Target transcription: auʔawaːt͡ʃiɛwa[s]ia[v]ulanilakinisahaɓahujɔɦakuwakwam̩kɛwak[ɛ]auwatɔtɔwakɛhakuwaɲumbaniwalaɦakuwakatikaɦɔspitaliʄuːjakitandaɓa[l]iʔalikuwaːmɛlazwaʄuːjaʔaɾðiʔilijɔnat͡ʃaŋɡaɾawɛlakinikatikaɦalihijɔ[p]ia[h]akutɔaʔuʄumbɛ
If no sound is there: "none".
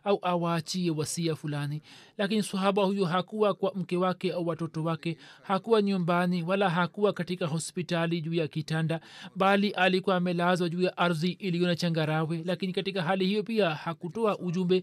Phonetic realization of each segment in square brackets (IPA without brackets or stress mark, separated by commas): s, f, ɛ, l, p, h